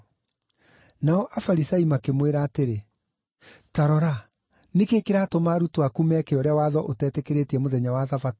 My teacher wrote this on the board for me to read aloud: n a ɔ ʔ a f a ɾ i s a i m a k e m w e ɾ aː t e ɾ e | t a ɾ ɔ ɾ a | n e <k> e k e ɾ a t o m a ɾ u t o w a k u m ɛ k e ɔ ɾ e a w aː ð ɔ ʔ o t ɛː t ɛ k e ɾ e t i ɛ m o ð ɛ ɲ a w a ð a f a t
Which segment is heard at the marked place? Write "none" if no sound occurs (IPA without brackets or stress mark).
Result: k